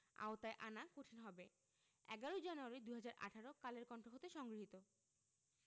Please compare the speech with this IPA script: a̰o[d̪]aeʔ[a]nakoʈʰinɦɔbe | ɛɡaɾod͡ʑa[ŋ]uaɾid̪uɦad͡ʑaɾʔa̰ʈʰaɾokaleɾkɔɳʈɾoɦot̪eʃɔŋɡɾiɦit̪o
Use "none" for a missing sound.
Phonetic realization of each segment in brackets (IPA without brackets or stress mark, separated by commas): t̪, a, n